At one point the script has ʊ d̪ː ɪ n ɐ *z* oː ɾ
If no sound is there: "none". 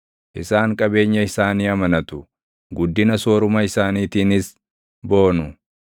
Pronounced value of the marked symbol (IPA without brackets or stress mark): s